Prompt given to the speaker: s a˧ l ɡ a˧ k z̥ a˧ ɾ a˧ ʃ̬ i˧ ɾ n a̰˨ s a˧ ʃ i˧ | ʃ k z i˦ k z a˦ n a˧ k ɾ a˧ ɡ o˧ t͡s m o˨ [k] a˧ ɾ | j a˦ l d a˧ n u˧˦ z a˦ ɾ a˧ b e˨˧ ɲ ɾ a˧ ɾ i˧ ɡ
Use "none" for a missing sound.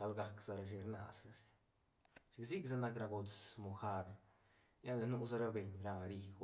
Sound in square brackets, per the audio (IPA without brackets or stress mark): x